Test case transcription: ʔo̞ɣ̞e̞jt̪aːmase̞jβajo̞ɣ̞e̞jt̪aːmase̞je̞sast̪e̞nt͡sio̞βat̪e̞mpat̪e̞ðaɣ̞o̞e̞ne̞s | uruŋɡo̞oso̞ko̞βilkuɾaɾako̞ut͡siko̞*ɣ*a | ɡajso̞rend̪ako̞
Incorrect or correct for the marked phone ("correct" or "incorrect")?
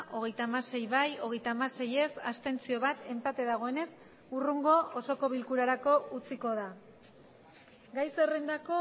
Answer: incorrect